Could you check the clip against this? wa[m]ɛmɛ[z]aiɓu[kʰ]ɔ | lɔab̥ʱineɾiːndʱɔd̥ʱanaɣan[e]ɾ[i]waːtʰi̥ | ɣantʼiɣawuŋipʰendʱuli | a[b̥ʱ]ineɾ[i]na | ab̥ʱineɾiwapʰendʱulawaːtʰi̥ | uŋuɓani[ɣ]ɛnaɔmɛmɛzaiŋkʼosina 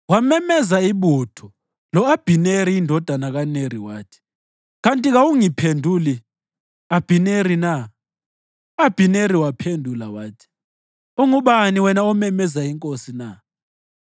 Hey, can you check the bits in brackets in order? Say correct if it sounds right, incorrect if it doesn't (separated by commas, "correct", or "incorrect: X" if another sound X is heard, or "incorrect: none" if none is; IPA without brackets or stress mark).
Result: correct, correct, incorrect: tʰ, correct, correct, correct, correct, incorrect: w